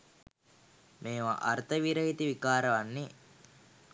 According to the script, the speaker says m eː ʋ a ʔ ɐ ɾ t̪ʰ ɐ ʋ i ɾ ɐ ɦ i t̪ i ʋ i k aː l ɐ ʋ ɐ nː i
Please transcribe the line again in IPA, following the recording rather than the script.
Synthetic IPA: m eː ʋ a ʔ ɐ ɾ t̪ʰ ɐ ʋ i ɾ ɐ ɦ i t̪ i ʋ i k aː ɾ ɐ ʋ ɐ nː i